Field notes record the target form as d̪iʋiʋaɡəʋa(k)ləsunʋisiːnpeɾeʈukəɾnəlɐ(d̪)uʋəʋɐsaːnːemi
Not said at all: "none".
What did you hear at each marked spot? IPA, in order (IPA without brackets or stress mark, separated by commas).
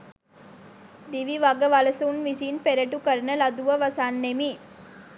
none, d̪